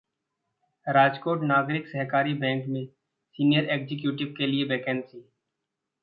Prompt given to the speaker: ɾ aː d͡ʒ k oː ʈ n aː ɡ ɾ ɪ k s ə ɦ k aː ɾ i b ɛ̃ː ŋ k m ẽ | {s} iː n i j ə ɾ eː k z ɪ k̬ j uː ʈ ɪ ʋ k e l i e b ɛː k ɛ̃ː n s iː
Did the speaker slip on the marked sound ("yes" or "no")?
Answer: no